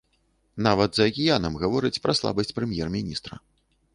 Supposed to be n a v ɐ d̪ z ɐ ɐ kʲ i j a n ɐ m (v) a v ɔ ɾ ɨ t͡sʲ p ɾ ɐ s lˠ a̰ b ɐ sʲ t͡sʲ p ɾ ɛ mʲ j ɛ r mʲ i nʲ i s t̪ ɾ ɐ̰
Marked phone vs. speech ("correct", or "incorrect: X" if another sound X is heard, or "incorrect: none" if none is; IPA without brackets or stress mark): incorrect: ɣ